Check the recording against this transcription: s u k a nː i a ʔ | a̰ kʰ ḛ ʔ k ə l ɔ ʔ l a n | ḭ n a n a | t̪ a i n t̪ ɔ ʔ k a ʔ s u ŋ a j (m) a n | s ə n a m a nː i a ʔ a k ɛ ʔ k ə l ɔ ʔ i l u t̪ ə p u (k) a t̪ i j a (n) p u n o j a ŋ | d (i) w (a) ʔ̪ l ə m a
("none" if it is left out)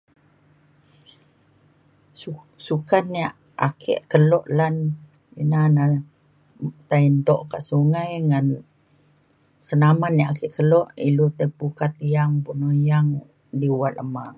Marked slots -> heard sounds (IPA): ŋ, k, ŋ, i, a

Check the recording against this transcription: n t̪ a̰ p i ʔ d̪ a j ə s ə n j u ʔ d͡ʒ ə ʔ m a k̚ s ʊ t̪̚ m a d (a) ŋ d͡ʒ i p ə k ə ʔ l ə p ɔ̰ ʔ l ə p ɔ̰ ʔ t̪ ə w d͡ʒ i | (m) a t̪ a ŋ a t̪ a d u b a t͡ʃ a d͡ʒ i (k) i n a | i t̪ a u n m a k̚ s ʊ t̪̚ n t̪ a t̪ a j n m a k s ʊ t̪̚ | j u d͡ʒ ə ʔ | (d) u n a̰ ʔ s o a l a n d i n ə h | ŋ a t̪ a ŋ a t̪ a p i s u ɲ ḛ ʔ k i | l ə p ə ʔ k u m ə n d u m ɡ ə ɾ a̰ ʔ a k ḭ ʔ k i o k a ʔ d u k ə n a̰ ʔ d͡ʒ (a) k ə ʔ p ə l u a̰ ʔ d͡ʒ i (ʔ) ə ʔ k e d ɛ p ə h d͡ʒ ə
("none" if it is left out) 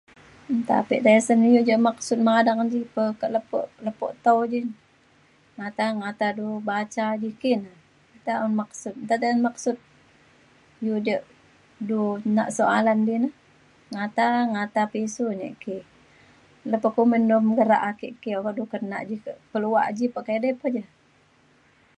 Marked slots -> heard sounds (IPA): a, ŋ, k, d, i, p

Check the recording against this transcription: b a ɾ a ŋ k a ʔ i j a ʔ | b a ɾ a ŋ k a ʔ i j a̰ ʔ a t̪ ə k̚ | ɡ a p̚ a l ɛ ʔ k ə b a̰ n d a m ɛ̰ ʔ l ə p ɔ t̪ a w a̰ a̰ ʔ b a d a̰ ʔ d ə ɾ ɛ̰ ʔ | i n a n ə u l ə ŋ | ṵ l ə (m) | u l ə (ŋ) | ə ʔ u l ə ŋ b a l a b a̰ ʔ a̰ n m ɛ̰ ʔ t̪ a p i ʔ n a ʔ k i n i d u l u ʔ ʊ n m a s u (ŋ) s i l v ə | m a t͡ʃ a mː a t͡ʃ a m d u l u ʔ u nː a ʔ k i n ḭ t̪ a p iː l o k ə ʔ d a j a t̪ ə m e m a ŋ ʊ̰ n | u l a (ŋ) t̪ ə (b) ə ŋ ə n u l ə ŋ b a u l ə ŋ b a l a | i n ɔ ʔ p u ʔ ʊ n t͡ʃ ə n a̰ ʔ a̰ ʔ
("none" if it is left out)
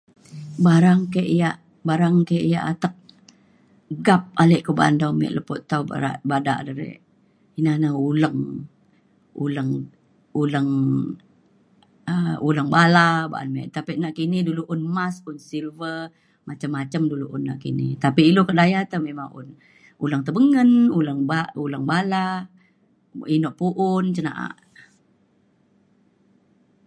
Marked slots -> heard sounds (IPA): ŋ, ŋ, n, ŋ, b

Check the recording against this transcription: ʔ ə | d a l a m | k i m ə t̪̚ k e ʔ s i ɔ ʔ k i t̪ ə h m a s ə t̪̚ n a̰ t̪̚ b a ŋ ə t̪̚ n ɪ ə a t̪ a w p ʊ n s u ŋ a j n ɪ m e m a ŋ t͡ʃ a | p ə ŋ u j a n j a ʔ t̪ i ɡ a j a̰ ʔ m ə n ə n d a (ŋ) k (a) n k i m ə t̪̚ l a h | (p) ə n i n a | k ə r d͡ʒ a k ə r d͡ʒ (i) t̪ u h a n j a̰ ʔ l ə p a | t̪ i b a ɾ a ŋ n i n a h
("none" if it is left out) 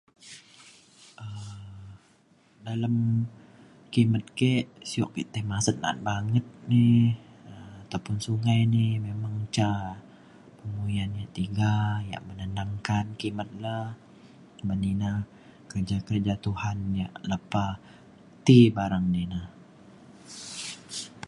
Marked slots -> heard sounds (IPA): ŋ, a, b, a

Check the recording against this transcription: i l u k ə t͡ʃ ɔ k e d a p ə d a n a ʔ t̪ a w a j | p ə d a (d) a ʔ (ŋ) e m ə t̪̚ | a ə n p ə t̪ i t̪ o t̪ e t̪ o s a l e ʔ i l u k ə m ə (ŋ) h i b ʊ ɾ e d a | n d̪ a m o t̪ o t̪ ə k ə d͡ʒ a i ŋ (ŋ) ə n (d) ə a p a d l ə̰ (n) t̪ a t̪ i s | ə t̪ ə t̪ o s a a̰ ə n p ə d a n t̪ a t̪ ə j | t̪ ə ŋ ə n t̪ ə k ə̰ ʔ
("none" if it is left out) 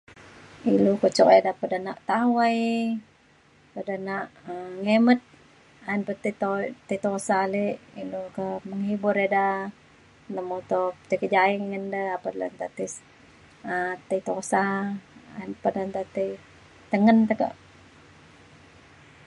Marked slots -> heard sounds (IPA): n, ŋ, ŋ, ŋ, d, n

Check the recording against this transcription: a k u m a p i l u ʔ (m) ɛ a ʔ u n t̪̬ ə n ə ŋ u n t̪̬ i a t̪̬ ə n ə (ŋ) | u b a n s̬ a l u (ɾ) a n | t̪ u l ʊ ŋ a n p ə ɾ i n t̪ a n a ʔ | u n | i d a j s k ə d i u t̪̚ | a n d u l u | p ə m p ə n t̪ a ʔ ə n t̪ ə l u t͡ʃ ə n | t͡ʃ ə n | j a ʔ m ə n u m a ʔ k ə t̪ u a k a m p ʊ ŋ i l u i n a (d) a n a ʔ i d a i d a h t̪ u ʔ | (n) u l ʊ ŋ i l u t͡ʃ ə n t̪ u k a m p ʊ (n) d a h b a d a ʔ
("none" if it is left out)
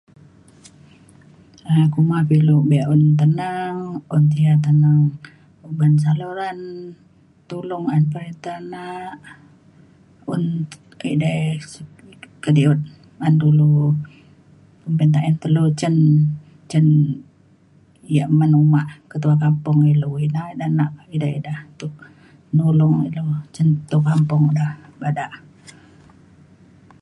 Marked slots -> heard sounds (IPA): b, ŋ, ɾ, d, n, ŋ

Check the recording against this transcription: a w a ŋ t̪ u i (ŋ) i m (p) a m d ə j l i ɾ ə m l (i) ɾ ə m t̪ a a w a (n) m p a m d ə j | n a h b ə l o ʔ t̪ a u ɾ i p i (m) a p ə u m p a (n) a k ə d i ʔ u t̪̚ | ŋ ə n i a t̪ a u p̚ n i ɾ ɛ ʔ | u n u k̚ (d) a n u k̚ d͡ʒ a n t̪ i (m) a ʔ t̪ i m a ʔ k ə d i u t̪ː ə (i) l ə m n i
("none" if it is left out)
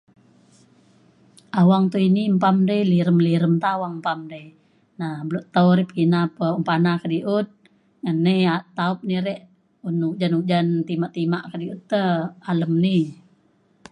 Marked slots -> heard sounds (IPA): n, p, i, ŋ, n, n, d͡ʒ, m, a

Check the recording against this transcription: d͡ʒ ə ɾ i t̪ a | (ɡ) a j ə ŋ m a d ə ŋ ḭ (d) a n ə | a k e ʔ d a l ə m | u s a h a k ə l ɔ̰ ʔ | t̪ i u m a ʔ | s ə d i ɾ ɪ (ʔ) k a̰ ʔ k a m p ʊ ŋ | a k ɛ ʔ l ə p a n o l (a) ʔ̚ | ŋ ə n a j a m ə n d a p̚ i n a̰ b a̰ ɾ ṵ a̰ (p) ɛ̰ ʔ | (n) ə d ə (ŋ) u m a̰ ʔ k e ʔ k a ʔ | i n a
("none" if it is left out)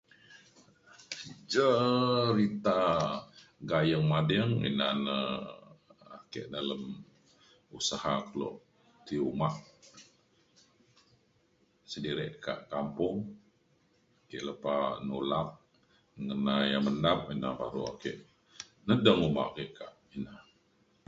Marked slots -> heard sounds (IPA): ɡ, n, ʔ, a, k, n, ŋ

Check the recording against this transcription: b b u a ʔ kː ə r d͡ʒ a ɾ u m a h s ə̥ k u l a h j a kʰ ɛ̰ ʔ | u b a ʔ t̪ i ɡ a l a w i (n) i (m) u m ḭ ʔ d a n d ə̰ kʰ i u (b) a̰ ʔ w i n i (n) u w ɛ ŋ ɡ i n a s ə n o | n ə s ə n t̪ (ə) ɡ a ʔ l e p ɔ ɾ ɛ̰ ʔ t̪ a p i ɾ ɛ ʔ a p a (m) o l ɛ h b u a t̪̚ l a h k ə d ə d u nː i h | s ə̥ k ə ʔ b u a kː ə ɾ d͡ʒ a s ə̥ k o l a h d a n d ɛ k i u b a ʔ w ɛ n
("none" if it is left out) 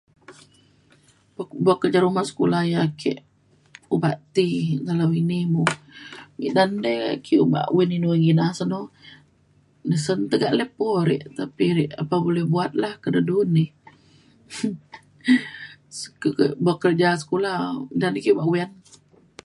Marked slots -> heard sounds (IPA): n, m, b, n, ə, b

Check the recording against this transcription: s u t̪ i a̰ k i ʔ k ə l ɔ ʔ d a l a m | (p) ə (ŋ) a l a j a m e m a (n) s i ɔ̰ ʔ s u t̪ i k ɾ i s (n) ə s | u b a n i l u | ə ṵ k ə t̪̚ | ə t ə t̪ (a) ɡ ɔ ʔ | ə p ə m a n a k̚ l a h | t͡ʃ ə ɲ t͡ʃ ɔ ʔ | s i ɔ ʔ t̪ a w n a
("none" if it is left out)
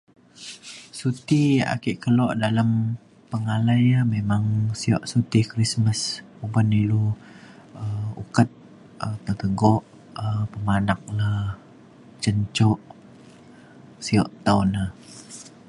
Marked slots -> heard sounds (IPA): p, ŋ, ŋ, m, ə

